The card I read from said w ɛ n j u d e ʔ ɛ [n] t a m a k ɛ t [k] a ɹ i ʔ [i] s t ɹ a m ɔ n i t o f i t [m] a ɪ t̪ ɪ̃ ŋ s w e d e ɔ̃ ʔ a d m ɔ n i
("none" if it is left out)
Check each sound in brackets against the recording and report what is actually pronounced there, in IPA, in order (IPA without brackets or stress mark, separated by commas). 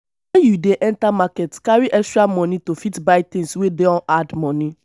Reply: n, k, ɛ, b